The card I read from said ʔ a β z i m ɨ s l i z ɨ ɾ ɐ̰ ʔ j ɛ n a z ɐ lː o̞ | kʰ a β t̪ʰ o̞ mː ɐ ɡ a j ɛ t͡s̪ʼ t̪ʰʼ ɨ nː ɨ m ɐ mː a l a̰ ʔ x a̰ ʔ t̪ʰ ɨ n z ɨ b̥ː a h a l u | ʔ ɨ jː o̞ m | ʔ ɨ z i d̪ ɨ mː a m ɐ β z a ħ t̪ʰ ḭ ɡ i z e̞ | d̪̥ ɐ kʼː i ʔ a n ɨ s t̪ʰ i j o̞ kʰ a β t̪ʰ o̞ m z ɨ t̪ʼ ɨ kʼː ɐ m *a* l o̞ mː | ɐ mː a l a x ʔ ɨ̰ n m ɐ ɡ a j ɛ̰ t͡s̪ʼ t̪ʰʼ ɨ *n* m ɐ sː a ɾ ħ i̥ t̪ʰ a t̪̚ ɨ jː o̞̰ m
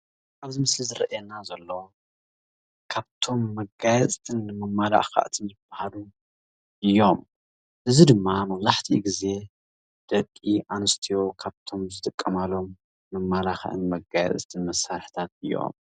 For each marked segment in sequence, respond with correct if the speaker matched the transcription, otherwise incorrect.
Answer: correct, correct

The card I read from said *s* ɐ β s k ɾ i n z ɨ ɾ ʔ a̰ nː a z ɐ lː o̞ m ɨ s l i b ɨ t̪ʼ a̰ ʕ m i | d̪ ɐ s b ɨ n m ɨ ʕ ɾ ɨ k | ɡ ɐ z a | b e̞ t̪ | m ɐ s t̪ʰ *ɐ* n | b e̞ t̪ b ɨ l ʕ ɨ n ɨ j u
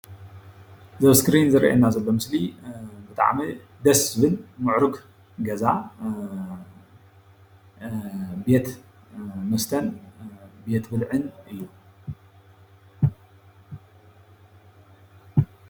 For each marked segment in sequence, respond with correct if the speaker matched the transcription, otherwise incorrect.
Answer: incorrect: z, correct

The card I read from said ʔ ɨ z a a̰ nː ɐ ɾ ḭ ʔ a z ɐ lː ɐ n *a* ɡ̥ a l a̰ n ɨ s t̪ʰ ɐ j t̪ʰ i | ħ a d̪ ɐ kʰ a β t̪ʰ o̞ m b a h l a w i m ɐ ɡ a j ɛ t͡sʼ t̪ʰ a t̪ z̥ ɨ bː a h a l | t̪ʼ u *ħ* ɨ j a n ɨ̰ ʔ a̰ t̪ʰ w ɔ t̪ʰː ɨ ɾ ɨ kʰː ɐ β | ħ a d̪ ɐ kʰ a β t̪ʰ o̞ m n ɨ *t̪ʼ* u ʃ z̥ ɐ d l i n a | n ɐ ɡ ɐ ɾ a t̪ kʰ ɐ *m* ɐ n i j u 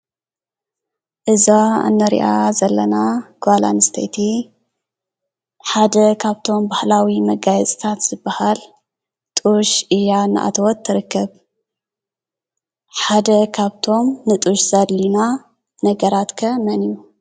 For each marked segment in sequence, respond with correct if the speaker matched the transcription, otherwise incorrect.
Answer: correct, incorrect: ʃ, correct, correct

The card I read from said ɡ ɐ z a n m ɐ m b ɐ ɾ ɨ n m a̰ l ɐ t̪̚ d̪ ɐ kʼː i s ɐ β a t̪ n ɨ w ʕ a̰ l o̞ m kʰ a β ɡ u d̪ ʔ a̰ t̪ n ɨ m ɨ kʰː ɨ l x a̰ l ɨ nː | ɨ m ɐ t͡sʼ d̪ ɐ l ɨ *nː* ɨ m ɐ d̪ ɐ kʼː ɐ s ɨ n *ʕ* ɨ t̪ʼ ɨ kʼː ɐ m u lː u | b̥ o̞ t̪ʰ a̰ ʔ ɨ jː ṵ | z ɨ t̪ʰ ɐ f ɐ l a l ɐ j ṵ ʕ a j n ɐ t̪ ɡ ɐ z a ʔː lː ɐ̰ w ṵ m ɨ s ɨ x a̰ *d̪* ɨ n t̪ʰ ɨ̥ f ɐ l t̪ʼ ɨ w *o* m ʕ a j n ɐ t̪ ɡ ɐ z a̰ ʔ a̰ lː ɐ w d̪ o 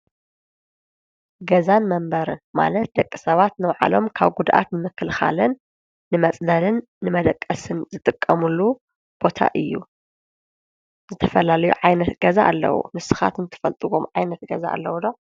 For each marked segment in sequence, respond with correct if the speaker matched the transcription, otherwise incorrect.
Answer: correct, incorrect: z, incorrect: t̪, correct

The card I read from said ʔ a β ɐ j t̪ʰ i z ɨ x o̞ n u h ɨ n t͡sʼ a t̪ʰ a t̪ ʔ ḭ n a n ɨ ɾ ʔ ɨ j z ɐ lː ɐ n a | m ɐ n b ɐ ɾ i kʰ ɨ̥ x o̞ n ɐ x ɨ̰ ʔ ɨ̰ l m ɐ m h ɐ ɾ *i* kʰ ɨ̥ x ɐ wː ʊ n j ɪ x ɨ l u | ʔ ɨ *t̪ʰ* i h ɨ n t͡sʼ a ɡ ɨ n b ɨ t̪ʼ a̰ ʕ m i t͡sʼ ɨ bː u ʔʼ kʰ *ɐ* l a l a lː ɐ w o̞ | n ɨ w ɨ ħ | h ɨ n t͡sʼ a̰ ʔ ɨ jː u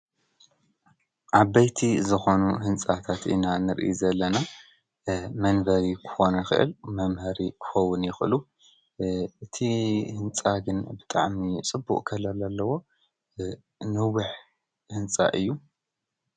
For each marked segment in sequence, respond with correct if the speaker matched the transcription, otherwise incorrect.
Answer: correct, correct, correct

